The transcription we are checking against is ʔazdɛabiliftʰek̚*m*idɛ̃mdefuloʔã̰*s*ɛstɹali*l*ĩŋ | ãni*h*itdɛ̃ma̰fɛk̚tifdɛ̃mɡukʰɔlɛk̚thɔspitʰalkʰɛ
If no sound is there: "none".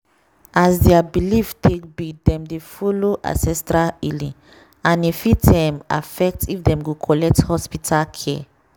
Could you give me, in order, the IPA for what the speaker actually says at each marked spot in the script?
b, s, l, f

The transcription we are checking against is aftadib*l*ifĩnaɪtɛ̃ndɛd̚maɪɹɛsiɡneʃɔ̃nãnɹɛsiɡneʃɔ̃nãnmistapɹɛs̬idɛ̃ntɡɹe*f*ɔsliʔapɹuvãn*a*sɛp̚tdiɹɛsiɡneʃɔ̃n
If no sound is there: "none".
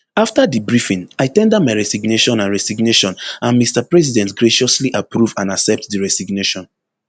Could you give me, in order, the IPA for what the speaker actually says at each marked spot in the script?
ɹ, ʃ, a

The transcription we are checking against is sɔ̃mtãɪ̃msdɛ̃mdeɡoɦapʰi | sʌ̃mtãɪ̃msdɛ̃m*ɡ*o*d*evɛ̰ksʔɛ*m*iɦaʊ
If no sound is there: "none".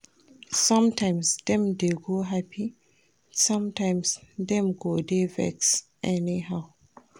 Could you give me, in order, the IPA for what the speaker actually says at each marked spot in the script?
ɡ, d, n

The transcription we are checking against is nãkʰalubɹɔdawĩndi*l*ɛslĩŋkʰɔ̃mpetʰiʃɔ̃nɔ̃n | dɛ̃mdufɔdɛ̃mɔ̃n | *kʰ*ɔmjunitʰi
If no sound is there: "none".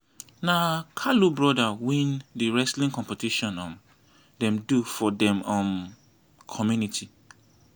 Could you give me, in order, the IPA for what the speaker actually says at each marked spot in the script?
ɹ, kʰ

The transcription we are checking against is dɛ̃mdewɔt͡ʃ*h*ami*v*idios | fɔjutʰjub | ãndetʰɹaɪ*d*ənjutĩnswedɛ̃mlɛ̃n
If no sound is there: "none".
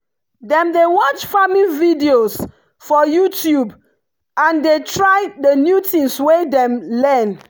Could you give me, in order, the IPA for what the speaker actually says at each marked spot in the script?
f, v, d

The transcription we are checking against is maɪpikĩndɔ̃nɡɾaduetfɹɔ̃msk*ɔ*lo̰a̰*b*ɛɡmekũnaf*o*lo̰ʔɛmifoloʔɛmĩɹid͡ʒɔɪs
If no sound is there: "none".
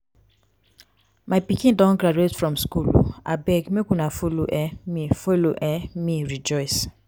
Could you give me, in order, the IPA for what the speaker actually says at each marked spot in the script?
u, b, o

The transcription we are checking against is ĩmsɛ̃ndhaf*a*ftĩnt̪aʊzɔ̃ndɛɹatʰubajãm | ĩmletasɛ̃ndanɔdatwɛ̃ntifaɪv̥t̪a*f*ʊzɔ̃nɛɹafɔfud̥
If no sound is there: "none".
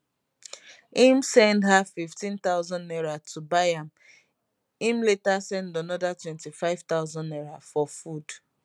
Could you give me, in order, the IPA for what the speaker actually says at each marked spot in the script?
i, none

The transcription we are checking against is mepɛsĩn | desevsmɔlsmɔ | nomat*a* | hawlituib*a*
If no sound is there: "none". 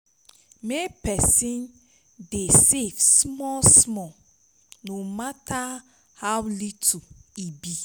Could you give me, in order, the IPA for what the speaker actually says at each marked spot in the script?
a, i

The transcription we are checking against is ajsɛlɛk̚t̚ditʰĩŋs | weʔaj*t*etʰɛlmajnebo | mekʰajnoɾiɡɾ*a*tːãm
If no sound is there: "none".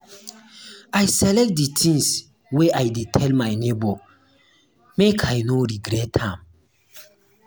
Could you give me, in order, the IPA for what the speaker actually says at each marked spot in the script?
d, ɛ

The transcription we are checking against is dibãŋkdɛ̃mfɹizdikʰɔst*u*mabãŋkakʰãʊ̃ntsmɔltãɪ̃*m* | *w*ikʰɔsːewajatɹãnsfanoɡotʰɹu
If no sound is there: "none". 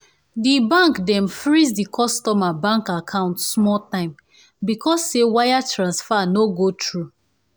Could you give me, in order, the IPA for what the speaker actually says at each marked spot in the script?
ɔ, m, b

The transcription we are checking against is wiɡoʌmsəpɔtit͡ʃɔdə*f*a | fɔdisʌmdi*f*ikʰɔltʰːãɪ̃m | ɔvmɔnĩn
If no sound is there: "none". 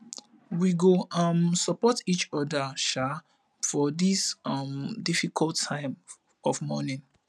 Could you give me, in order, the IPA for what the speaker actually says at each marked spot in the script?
ʃ, f

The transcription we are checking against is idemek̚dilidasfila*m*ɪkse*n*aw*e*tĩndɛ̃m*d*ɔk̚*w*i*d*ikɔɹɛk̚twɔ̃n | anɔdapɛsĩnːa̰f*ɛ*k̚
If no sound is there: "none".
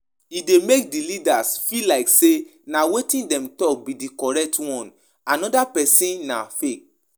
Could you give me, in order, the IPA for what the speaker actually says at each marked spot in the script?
none, n, e, t, b, d, e

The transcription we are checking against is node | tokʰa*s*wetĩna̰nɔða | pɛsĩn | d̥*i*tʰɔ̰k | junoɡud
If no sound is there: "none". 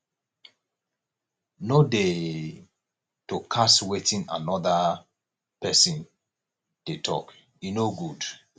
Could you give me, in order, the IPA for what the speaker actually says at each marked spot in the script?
s, e

